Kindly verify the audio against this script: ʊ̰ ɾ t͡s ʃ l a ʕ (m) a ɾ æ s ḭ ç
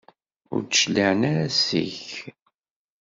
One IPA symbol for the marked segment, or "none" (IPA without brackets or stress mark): n